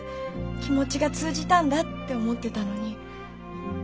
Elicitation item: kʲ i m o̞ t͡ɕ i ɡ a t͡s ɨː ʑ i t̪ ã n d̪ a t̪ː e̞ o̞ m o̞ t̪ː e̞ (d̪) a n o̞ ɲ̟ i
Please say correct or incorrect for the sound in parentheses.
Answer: incorrect: t̪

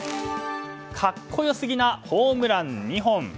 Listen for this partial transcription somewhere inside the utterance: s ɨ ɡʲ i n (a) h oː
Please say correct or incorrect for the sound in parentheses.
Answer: correct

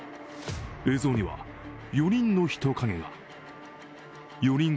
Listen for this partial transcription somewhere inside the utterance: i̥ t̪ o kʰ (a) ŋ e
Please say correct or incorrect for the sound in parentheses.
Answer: correct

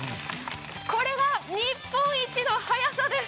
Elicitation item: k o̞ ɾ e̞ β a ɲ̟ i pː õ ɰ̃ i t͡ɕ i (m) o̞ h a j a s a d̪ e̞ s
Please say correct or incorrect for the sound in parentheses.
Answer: incorrect: n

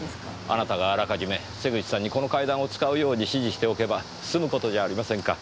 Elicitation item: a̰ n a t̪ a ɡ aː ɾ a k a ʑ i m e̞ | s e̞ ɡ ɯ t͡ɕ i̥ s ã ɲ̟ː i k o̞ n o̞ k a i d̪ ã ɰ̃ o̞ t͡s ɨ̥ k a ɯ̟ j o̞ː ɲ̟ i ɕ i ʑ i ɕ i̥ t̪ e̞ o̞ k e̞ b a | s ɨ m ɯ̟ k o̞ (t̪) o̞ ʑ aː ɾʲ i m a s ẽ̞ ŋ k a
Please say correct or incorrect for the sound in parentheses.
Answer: correct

